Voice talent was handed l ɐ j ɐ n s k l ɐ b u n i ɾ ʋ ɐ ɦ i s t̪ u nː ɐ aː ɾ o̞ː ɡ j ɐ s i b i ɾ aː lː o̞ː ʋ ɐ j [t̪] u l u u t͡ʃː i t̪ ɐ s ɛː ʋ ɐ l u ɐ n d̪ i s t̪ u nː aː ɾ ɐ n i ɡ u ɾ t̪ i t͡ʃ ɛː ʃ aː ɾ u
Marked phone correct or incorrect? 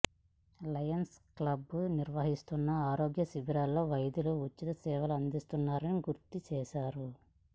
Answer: incorrect